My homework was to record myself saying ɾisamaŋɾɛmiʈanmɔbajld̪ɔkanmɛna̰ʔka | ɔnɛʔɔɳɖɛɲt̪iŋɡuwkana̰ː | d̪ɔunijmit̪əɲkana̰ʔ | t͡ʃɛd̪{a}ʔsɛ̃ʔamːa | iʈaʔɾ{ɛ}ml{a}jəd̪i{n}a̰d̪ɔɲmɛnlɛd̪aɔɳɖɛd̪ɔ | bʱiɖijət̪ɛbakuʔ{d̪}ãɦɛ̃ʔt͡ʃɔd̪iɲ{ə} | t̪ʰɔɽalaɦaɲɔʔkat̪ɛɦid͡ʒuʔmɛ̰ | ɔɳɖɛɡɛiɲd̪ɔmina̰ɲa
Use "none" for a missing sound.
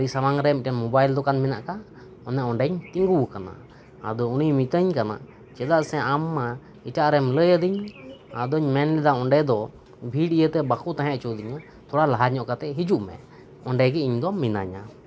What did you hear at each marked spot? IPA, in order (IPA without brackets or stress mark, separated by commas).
a, ɛ, ə, ɲ, t̪, a